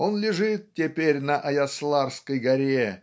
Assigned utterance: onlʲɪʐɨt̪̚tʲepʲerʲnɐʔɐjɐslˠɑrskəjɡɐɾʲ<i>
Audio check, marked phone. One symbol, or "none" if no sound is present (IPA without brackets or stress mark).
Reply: e